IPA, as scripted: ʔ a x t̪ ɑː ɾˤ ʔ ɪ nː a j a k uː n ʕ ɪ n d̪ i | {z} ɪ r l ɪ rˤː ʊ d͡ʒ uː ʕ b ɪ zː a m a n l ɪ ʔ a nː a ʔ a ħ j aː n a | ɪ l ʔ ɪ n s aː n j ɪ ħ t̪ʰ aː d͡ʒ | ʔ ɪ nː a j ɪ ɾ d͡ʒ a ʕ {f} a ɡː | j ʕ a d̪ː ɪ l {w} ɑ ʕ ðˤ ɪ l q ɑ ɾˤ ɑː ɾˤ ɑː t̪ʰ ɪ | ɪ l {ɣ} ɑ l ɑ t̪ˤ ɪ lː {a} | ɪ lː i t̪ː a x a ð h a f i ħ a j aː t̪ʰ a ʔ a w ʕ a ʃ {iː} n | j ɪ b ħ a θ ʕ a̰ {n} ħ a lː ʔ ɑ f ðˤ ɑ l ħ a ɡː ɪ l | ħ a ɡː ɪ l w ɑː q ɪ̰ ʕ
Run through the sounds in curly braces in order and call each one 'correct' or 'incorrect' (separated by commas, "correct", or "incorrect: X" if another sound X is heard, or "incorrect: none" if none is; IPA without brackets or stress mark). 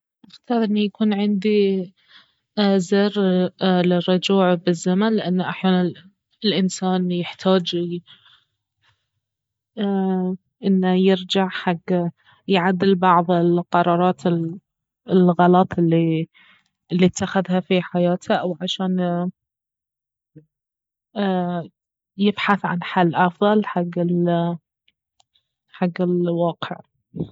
correct, incorrect: ħ, incorrect: b, correct, incorrect: i, incorrect: aː, correct